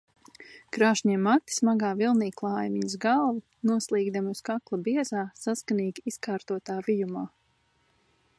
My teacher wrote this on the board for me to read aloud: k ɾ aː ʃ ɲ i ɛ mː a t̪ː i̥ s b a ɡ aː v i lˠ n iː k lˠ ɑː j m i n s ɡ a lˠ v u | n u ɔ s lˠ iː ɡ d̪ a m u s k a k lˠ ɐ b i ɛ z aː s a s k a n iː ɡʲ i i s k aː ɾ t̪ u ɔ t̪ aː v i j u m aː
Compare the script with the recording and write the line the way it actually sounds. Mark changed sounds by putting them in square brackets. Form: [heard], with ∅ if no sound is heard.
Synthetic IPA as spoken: k ɾ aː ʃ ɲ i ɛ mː a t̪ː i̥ s [m] a ɡ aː v i lˠ n iː k lˠ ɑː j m i [ɲ] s ɡ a lˠ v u | n u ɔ s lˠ iː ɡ d̪ a m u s k a k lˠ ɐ b i ɛ z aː s a s k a n iː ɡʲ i i s k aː ɾ t̪ u ɔ t̪ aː v i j u m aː